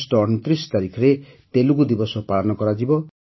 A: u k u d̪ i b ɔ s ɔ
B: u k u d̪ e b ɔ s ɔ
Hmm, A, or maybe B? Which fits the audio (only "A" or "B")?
A